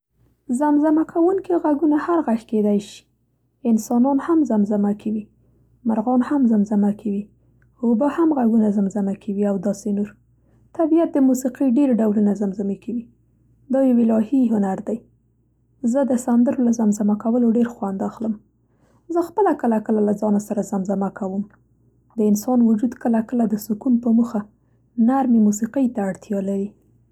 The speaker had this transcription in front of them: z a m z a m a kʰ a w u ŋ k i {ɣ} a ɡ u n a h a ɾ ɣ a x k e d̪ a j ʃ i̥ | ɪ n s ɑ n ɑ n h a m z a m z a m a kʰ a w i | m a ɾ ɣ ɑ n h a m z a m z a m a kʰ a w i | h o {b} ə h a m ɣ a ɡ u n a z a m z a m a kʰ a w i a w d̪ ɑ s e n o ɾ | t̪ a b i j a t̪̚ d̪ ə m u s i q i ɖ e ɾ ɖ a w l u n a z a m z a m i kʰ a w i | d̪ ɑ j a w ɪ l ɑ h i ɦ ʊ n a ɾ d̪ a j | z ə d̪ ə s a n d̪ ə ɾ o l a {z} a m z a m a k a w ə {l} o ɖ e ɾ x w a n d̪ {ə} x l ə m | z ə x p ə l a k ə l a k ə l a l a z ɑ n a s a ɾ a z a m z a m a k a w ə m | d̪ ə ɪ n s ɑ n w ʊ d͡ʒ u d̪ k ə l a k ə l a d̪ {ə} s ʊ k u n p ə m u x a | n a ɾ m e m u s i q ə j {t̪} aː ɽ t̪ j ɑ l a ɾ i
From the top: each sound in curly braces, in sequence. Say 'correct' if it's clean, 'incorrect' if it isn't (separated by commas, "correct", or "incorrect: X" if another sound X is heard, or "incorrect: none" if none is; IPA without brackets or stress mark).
correct, correct, correct, correct, incorrect: a, correct, correct